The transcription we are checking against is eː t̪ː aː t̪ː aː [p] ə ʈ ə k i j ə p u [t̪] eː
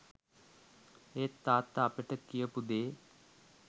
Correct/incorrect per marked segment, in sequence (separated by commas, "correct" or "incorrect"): correct, incorrect